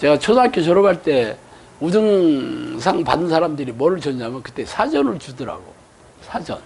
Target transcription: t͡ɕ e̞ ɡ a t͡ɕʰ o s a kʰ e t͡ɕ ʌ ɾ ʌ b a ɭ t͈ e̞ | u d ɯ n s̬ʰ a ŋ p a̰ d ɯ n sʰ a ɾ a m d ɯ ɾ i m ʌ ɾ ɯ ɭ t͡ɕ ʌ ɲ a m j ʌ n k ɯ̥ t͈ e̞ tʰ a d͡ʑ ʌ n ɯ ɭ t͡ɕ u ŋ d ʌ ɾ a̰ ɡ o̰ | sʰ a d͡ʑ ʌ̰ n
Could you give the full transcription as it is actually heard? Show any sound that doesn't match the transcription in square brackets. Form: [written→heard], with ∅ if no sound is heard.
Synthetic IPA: t͡ɕ e̞ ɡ a t͡ɕʰ o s a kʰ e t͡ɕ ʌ ɾ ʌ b a ɭ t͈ e̞ | u d ɯ [n→ŋ] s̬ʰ a ŋ p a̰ d ɯ n sʰ a ɾ a m d ɯ ɾ i m ʌ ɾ ɯ ɭ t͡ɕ ʌ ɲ a m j ʌ n k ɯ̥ t͈ e̞ [tʰ→sʰ] a d͡ʑ ʌ n ɯ ɭ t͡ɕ u [ŋ→∅] d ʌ ɾ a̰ ɡ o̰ | sʰ a d͡ʑ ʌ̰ n